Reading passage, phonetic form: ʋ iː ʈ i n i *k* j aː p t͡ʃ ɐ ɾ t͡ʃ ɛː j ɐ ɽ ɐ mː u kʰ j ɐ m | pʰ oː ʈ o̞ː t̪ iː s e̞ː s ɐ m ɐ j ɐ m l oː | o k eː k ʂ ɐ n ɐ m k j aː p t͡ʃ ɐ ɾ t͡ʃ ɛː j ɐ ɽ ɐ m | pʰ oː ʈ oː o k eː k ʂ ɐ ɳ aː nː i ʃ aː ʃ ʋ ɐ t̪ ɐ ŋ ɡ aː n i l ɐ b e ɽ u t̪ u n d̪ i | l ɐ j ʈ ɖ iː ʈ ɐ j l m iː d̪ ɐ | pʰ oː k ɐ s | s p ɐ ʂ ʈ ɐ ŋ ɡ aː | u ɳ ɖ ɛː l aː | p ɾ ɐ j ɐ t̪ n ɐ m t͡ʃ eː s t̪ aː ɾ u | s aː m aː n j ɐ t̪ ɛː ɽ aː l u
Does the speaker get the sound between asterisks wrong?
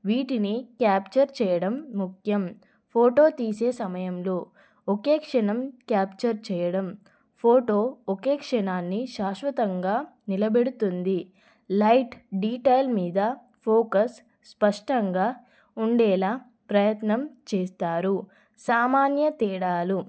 no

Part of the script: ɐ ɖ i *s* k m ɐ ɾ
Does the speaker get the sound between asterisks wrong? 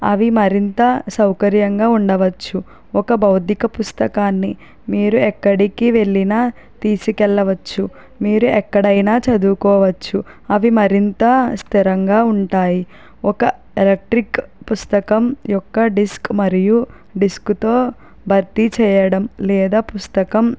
no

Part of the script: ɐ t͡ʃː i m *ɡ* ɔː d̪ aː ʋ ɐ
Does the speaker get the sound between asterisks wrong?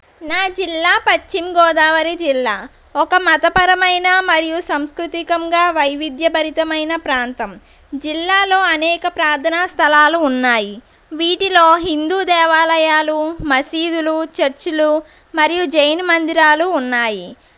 no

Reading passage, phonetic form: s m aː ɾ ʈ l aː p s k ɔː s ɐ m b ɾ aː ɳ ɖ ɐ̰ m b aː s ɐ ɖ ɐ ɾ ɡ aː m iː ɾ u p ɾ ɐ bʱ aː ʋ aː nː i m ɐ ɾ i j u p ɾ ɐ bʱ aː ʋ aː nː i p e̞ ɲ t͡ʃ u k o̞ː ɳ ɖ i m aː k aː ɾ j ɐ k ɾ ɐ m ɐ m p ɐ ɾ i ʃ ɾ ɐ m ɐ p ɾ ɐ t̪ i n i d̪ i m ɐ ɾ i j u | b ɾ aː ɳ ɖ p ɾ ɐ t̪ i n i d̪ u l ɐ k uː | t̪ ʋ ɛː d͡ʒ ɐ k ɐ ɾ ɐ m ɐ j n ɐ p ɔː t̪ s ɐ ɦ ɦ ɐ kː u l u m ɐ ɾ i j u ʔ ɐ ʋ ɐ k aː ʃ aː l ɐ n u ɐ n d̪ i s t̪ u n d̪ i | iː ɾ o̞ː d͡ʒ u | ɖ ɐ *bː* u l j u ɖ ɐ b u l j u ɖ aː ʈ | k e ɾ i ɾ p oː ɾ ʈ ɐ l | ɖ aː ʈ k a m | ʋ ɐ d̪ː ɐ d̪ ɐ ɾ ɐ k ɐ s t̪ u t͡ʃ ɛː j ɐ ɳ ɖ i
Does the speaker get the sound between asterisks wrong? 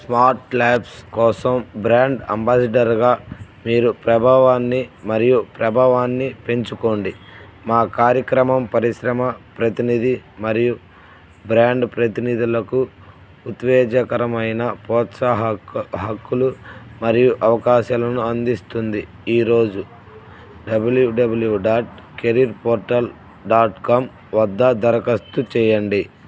yes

